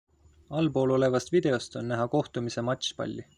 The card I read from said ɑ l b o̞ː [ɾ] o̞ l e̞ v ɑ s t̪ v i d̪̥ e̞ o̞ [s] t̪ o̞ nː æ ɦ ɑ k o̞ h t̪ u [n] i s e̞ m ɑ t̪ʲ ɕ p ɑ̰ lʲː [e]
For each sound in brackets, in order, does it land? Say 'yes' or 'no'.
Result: no, yes, no, no

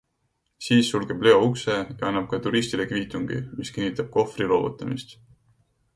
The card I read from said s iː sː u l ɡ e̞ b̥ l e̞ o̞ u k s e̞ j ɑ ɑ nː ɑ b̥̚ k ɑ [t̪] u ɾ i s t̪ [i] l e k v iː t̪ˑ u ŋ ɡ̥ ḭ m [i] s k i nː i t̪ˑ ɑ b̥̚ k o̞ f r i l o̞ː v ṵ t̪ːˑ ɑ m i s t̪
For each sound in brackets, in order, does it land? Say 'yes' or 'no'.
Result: yes, yes, yes

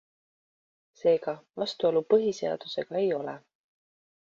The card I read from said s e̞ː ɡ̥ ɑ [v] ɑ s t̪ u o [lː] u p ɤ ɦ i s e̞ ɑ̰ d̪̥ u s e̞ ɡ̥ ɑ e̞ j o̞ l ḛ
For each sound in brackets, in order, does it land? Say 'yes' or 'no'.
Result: yes, no

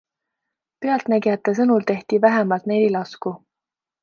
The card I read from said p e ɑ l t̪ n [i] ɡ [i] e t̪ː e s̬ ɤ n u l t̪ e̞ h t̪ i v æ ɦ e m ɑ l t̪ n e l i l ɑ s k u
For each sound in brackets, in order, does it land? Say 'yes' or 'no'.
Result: no, yes

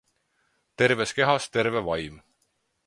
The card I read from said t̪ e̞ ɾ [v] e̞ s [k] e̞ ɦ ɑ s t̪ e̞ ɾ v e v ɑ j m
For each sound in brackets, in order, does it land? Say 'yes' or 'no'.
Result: yes, yes

